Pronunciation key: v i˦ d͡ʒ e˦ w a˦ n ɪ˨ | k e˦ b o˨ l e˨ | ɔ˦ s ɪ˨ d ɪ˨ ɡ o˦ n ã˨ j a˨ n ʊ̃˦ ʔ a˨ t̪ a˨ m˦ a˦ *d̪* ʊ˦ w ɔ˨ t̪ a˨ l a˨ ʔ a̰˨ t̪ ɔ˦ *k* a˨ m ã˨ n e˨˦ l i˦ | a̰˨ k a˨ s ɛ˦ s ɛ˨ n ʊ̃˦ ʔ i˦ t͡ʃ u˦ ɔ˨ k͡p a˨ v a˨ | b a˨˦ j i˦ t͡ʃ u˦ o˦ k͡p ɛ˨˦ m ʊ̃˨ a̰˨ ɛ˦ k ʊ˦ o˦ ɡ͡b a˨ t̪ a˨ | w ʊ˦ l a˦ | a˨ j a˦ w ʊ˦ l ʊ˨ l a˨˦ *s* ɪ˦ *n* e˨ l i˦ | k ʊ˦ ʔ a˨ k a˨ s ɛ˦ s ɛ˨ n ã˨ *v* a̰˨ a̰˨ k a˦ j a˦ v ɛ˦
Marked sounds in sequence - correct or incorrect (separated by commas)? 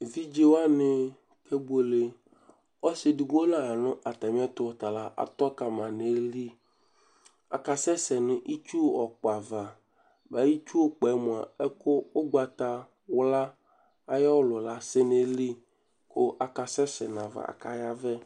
incorrect, correct, correct, correct, correct